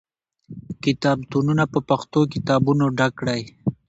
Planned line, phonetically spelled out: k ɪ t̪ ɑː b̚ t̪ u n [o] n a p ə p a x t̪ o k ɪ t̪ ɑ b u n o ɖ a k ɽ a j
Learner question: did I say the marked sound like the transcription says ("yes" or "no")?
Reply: no